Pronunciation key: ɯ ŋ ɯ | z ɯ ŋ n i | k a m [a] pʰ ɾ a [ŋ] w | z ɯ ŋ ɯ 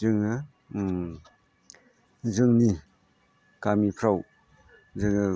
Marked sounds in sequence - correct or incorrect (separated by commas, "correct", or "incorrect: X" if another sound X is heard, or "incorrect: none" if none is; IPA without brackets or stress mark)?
incorrect: i, incorrect: none